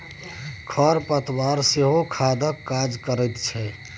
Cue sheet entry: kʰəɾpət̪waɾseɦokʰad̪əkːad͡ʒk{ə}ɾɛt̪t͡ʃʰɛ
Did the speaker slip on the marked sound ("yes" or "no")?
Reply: no